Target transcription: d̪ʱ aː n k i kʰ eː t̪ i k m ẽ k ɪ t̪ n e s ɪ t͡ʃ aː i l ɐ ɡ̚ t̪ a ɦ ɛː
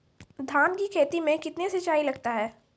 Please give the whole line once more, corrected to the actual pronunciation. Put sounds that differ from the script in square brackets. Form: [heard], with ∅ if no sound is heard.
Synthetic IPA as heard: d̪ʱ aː n k i kʰ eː t̪ i [∅] m ẽ k ɪ t̪ n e s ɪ t͡ʃ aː i l ɐ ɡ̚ t̪ a ɦ ɛː